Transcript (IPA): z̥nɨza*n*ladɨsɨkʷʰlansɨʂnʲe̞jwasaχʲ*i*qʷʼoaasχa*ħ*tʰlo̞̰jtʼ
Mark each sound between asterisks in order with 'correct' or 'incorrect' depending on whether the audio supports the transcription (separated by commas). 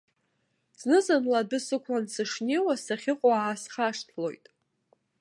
correct, incorrect, incorrect